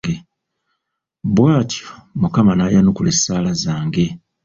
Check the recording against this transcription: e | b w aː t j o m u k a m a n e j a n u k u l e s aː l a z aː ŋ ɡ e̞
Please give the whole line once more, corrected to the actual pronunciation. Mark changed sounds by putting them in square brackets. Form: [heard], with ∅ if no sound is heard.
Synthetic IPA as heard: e | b w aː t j o m u k a m a n [a] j a n u k u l e s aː l a z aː ŋ ɡ e̞